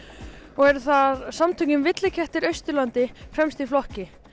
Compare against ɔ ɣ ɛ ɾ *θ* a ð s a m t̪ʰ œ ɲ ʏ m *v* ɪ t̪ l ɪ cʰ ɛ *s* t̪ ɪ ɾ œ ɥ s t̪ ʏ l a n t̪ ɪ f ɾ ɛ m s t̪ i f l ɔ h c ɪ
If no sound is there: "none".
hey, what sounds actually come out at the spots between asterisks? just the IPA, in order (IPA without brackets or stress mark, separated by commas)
θ, v, h